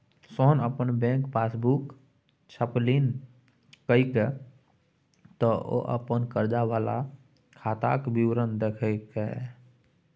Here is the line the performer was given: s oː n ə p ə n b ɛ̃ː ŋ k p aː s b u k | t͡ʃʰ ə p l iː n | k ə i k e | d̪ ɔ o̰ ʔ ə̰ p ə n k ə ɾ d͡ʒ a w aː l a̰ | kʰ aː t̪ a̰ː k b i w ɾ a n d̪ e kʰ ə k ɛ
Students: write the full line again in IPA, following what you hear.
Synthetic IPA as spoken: s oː n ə p ə n b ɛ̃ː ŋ k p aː s b u k | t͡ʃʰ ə p l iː n | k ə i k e | t̪ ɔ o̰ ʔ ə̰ p ə n k ə ɾ d͡ʒ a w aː l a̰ | kʰ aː t̪ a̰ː k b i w ɾ ə n d̪ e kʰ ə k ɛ